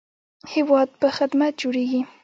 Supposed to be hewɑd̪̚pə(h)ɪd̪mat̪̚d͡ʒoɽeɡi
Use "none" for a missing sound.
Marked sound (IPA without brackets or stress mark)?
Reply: x